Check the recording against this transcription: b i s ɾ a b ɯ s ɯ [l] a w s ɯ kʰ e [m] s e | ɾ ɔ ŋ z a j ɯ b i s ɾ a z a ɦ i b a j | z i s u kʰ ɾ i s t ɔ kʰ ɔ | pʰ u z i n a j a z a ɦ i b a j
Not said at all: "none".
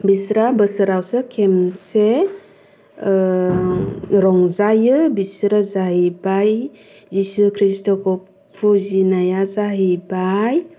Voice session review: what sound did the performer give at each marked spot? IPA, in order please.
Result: ɾ, m

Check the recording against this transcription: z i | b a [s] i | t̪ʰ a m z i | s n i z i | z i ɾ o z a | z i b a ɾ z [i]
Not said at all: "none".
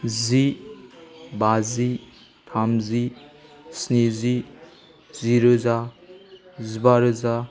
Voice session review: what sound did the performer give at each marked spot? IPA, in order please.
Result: z, a

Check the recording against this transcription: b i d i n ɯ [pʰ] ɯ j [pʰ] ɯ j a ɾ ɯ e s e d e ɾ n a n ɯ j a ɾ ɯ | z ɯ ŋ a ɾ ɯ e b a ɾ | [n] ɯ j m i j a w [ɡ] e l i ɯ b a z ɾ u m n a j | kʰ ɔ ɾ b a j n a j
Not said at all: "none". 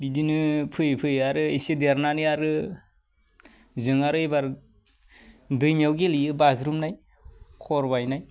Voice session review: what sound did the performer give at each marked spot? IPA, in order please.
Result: pʰ, pʰ, d, ɡ

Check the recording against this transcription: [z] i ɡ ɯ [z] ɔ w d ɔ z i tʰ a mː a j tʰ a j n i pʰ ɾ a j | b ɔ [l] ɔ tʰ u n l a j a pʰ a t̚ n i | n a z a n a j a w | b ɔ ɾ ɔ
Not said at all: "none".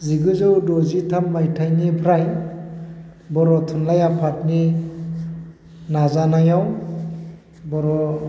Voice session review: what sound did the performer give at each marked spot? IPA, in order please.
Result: z, z, ɾ

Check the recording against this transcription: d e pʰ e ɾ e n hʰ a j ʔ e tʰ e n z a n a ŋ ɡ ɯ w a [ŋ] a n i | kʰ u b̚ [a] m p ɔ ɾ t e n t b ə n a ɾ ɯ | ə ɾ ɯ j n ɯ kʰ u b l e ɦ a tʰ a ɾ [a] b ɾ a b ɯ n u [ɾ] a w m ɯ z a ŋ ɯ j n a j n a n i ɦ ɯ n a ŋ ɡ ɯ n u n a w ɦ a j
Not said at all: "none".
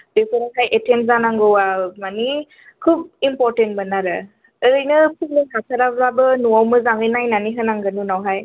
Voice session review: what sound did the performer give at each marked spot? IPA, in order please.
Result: m, i, a, none

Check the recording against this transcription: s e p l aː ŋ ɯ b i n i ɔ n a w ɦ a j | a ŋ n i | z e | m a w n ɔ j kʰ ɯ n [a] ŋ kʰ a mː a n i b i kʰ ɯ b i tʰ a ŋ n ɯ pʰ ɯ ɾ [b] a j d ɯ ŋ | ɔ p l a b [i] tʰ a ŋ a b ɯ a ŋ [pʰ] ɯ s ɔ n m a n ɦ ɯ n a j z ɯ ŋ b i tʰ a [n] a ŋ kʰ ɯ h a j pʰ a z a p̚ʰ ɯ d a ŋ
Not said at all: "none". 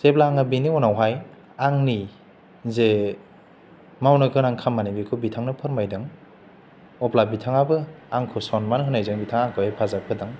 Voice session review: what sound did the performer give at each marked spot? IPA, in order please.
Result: a, m, i, kʰ, ŋ

